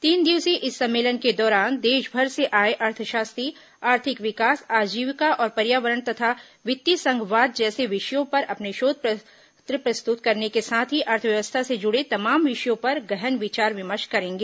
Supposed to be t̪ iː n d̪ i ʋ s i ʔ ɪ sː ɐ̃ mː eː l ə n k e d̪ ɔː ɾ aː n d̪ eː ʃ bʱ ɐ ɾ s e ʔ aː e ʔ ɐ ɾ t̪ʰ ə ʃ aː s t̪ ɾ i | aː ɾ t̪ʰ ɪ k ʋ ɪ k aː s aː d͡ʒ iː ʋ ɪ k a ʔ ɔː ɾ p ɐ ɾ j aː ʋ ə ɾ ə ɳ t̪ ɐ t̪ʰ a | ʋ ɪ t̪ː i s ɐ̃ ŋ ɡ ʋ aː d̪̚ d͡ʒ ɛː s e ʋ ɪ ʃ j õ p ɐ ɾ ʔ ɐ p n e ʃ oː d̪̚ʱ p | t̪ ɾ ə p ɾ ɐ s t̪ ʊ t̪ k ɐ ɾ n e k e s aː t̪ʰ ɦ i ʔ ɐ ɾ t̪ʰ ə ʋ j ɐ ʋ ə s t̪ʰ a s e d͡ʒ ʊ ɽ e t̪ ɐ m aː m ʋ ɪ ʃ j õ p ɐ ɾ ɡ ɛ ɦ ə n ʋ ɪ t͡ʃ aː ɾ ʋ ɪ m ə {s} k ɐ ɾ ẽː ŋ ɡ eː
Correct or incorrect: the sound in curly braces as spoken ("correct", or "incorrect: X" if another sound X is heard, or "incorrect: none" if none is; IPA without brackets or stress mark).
incorrect: ʃ